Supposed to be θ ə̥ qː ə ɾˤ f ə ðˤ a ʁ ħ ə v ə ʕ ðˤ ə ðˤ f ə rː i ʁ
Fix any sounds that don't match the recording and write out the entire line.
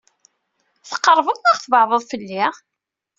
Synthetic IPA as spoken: θ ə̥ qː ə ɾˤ v ə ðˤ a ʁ θ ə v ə ʕ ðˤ ə ðˤ f ə lː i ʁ